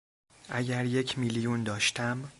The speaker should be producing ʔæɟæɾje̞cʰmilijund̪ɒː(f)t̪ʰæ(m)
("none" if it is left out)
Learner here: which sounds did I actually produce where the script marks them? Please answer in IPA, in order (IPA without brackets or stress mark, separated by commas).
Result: ʃ, m